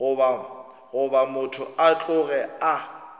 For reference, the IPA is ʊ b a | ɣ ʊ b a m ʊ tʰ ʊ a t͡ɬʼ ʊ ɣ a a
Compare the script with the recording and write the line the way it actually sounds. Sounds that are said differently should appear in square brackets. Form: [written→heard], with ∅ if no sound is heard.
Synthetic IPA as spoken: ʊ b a | ɣ ʊ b a m ʊ tʰ ʊ a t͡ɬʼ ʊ ɣ [a→ɛ] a